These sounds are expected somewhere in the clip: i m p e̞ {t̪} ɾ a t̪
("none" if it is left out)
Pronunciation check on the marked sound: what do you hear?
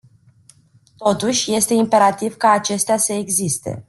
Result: none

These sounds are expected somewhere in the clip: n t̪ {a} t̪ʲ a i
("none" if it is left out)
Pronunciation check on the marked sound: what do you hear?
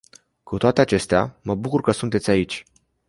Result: e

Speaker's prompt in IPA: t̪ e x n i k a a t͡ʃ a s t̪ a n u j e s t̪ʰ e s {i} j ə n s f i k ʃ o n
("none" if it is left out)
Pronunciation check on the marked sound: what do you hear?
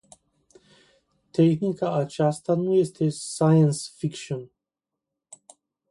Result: a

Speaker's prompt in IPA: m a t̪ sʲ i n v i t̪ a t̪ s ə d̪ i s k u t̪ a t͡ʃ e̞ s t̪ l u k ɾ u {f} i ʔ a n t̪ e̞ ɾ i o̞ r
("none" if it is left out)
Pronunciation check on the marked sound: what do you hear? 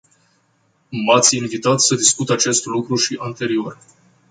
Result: ʃ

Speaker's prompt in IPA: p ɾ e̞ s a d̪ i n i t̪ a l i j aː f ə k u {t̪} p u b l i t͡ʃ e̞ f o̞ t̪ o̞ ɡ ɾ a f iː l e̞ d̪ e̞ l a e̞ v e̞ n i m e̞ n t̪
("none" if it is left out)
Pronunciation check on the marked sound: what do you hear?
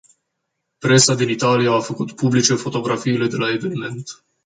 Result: t̪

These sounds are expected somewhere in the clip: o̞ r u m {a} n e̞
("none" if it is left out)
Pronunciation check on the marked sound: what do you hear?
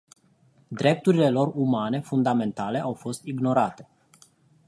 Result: a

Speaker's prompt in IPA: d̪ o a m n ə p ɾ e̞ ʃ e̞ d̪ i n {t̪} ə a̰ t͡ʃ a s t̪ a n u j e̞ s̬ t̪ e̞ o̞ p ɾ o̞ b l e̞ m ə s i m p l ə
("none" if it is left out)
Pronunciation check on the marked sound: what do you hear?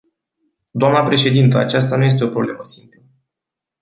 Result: t̪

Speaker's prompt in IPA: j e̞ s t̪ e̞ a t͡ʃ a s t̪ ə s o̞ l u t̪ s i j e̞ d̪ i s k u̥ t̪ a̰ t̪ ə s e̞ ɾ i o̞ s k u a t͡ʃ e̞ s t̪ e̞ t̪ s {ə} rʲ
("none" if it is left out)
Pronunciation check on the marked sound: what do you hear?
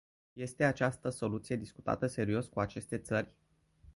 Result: ə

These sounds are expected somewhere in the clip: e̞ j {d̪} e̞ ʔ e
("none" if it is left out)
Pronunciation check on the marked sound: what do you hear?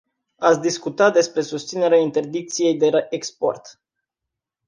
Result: d̪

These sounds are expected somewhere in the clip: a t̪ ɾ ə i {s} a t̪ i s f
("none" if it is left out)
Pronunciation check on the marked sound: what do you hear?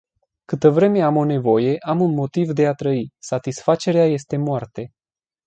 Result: s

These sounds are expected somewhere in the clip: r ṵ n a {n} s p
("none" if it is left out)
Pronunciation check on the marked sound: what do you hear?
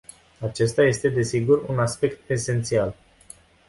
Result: none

